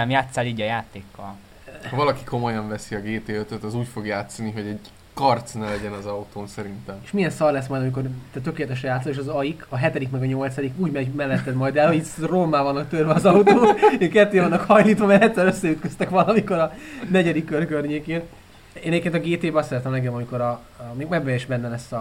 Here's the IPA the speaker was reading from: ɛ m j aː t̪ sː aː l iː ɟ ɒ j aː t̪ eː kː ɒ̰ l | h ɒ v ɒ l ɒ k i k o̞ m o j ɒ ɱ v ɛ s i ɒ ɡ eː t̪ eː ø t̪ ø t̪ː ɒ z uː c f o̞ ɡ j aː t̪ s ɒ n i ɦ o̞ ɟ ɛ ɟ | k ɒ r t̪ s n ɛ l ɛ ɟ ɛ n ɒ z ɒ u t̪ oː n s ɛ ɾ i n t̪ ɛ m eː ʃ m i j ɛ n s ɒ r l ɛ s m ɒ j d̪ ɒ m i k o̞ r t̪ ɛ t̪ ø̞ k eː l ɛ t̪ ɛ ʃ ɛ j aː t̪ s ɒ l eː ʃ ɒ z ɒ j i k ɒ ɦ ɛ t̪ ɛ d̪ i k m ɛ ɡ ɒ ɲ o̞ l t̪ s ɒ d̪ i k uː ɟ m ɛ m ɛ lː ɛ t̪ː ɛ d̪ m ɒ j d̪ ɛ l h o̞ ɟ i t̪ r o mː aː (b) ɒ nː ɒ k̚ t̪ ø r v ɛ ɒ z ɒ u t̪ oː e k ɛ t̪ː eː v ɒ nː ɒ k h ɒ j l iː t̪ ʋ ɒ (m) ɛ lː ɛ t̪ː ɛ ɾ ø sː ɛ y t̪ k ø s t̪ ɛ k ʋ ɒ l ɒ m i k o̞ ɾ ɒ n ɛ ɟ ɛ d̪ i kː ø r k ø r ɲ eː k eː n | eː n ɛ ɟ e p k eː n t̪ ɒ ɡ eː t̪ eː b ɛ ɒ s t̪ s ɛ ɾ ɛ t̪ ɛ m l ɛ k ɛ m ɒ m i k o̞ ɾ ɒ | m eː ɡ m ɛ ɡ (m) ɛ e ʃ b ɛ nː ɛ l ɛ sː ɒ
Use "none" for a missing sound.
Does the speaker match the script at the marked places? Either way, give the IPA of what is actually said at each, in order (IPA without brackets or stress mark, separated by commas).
v, m, b